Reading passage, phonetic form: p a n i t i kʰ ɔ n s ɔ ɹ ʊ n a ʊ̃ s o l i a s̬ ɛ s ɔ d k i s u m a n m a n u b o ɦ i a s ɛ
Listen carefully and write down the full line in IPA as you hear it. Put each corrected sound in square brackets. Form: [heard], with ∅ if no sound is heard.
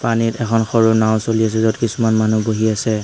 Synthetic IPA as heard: p a n i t [ɛ] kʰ ɔ n [x] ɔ ɹ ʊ n a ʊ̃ s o l i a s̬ ɛ [z] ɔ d k i s u m a n m a n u b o ɦ i a s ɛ